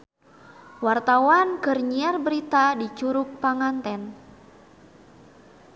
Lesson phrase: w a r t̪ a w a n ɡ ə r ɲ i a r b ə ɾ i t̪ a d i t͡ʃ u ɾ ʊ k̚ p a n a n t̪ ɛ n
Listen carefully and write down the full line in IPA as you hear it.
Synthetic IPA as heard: w a r t̪ a w a n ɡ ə r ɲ i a r b ə ɾ i t̪ a d i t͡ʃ u ɾ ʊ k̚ p a ŋ a n t̪ ɛ n